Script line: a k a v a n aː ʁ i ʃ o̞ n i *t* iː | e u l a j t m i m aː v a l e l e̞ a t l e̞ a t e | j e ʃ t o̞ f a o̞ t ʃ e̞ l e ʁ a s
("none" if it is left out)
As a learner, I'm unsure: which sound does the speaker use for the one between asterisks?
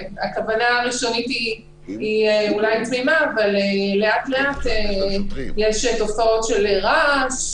t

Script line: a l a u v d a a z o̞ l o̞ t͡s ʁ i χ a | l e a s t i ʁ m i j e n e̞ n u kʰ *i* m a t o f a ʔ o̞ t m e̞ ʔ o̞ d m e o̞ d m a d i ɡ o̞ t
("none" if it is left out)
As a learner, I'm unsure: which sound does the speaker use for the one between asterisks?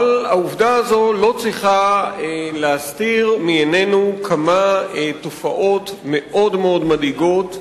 a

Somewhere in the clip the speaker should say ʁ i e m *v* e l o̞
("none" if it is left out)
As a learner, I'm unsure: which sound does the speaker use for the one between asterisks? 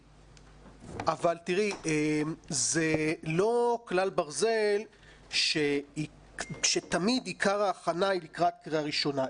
z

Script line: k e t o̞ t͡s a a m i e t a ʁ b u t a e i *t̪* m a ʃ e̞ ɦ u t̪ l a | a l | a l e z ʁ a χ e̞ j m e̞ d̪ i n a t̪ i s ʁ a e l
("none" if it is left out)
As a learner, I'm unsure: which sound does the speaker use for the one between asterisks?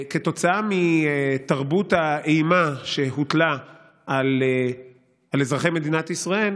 none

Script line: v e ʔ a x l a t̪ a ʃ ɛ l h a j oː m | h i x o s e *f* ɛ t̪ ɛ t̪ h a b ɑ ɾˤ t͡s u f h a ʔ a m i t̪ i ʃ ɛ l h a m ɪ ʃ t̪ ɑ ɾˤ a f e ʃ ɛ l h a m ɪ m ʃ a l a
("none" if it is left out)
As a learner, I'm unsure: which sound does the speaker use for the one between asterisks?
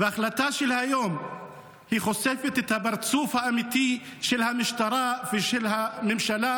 f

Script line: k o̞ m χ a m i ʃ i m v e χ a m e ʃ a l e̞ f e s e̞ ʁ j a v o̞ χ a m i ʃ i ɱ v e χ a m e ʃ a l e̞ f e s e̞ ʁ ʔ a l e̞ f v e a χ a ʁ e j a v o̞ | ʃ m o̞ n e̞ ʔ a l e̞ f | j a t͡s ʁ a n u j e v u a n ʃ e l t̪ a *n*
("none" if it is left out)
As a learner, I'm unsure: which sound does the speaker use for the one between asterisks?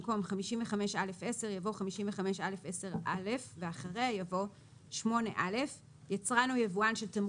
m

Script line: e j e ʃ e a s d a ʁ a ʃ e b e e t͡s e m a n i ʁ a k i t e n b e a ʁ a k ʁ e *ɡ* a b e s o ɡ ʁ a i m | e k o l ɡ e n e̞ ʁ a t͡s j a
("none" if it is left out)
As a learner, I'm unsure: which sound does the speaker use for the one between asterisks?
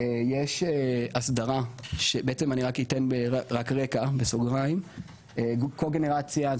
k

